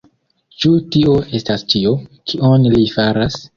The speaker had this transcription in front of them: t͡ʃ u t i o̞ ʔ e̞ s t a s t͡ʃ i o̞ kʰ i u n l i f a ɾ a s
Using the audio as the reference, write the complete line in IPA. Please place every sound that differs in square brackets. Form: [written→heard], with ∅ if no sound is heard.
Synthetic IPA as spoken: t͡ʃ u t i o̞ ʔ e̞ s t a s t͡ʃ i o̞ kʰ i [u→o] n l i f a ɾ a s